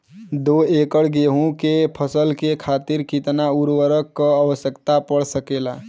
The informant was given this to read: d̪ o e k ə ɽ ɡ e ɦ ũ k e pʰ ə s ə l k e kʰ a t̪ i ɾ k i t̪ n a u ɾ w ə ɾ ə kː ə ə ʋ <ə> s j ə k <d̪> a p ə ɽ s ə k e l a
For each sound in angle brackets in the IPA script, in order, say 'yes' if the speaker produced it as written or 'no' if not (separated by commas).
yes, no